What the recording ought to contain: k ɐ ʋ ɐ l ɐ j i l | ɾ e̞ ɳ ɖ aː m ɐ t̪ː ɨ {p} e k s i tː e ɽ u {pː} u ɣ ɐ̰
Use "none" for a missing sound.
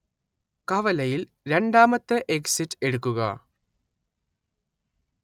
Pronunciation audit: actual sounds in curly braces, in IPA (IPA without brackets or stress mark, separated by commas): ʔ, kː